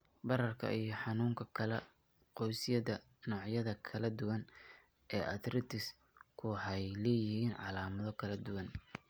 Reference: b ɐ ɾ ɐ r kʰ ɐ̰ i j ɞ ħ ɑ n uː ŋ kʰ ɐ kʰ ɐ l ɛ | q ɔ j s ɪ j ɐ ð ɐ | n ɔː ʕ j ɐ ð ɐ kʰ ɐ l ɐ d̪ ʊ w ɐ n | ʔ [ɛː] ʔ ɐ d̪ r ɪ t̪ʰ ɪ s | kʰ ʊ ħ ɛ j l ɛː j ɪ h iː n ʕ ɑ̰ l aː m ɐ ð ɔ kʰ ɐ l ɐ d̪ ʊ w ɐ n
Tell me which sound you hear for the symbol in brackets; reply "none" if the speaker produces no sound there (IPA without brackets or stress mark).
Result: ɛː